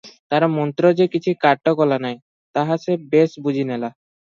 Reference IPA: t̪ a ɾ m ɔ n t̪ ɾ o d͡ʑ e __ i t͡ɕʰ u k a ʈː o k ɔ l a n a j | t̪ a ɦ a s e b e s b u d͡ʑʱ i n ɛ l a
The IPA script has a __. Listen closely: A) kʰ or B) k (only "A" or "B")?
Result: B